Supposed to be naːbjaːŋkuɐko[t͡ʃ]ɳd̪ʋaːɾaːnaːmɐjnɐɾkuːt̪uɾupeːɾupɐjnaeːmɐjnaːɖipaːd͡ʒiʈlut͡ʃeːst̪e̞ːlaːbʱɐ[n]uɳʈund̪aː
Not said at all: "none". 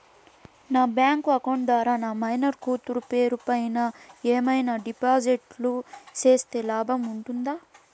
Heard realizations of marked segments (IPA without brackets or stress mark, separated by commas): none, m